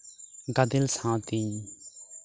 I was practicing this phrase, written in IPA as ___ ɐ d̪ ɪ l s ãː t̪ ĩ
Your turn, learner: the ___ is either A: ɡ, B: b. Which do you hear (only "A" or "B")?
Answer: A